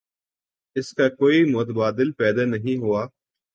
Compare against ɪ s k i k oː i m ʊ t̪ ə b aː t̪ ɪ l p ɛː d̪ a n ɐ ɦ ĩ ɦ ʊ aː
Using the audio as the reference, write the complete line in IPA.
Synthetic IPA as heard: ɪ s k a k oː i m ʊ t̪ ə b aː d̪ ɪ l p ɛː d̪ a n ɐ ɦ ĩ ɦ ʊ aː

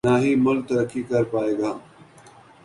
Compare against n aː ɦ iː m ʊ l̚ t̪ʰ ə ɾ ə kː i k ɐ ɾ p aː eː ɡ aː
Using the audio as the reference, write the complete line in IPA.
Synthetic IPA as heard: n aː ɦ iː m ʊ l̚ t̪ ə ɾ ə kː i k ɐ ɾ p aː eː ɡ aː

